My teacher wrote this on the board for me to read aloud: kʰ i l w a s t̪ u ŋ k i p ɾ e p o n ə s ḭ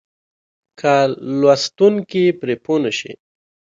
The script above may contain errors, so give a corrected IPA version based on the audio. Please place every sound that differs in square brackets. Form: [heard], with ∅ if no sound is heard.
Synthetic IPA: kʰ [a] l w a s t̪ u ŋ k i p ɾ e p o n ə [ʃ] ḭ